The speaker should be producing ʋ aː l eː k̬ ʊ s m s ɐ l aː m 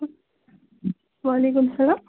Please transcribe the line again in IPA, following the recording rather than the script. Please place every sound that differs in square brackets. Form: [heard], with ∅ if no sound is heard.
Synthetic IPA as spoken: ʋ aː l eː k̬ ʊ [∅] m s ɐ l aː m

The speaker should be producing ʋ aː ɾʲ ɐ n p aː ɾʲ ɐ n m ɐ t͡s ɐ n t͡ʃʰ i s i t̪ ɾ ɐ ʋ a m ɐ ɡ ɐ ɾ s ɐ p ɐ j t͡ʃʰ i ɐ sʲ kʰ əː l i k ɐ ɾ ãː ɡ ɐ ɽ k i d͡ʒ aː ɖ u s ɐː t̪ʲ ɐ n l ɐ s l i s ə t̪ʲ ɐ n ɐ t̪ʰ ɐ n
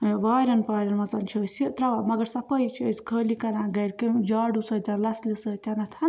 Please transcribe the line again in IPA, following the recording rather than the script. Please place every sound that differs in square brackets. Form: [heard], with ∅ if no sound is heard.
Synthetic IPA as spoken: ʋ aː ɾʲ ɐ n p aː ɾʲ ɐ n m ɐ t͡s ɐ n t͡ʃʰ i s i t̪ ɾ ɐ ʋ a m ɐ ɡ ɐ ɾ s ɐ p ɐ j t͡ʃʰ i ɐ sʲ kʰ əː l i k ɐ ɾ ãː ɡ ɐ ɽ k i d͡ʒ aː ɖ u s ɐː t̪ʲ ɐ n l ɐ s l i s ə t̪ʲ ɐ n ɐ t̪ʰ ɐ n

